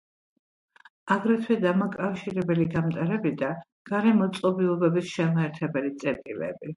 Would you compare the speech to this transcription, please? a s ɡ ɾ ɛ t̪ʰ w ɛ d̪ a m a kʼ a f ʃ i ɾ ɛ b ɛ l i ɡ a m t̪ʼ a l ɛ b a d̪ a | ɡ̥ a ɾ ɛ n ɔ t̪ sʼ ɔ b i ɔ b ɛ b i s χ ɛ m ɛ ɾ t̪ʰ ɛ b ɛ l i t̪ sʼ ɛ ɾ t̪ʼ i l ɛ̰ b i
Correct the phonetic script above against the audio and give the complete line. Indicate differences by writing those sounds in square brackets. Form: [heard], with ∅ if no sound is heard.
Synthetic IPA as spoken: a [∅] ɡ ɾ ɛ t̪ʰ w ɛ d̪ a m a kʼ a f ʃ i ɾ ɛ b ɛ l i ɡ a m t̪ʼ a [ɾ] ɛ b [i] d̪ a | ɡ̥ a ɾ ɛ [m] ɔ t̪ sʼ ɔ b i ɔ b ɛ b i s [ʃ] ɛ m ɛ ɾ t̪ʰ ɛ b ɛ l i t̪ sʼ ɛ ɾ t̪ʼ i l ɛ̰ b i